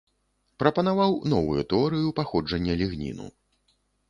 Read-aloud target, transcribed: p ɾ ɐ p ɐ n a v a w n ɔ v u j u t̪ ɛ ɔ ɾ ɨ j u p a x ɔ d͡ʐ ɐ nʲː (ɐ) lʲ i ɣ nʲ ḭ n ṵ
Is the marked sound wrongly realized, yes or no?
no